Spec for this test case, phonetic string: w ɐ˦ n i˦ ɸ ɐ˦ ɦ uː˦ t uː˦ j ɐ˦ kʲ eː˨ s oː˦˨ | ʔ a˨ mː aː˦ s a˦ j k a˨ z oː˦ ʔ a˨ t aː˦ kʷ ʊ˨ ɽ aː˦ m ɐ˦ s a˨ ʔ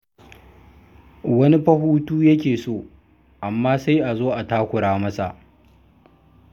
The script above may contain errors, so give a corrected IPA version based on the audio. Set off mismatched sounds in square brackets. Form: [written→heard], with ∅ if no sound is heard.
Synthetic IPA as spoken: w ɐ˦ n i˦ ɸ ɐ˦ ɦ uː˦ t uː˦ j ɐ˦ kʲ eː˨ s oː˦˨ | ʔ a˨ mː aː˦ s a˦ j [k→ʔ] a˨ z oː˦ ʔ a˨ t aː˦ kʷ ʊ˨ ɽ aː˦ m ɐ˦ s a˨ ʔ